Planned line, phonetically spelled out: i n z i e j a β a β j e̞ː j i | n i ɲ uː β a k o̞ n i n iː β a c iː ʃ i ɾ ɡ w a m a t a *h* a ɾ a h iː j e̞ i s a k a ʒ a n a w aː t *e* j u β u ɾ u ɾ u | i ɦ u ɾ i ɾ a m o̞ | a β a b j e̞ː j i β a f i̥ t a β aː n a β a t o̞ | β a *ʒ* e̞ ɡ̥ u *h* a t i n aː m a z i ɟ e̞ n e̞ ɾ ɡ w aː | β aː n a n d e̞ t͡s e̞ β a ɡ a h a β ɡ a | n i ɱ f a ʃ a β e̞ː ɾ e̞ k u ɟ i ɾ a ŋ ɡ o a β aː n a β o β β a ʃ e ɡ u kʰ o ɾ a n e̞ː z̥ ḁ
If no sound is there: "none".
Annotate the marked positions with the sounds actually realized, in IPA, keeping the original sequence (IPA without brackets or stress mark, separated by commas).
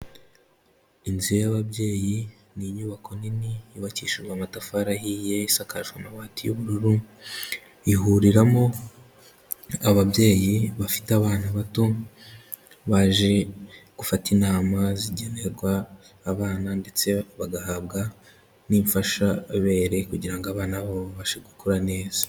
f, i, ʒ, f